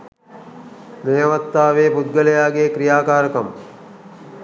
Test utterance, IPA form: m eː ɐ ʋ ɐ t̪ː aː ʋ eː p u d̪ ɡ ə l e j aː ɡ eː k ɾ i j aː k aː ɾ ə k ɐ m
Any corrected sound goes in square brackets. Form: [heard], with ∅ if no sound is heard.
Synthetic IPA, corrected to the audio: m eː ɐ ʋ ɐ t̪ː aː ʋ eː p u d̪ ɡ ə l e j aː ɡ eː k ɾ i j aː k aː ɾ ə k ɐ m